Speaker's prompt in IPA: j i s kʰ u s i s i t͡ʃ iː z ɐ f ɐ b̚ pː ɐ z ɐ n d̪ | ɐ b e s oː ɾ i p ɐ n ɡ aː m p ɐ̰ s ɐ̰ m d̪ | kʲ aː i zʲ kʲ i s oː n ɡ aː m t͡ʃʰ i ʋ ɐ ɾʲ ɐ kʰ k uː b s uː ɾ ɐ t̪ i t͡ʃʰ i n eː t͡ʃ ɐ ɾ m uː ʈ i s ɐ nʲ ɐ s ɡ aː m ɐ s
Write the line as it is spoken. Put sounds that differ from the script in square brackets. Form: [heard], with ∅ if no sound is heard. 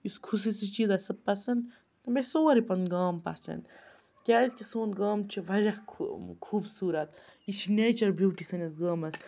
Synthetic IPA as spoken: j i s kʰ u s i s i t͡ʃ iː z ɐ [s] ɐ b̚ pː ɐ [s] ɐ n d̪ | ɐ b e s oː ɾ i p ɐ n ɡ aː m p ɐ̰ s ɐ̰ [n] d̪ | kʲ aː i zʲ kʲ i s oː n ɡ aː m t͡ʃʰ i ʋ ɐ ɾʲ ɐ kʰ [kʰ] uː b s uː ɾ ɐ t̪ i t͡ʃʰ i n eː t͡ʃ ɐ ɾ [b] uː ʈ i s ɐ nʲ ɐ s ɡ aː m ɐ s